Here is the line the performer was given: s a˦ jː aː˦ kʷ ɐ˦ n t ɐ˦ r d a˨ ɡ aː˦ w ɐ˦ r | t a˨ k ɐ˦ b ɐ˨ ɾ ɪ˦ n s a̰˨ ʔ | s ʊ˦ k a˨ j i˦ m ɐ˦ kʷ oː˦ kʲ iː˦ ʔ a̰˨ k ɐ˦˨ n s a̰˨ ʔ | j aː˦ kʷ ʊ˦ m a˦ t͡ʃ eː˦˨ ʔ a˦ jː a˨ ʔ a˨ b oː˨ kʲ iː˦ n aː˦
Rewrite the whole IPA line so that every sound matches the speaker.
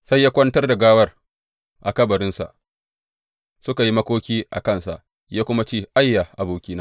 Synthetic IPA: s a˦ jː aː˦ kʷ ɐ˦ n t ɐ˦ r d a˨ ɡ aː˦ w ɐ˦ r | ʔ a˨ k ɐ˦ b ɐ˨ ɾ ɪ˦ n s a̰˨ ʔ | s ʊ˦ k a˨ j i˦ m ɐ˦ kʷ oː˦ kʲ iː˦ ʔ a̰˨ k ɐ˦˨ n s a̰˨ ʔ | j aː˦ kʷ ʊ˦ m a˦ t͡ʃ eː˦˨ ʔ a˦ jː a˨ ʔ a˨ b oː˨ kʲ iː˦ n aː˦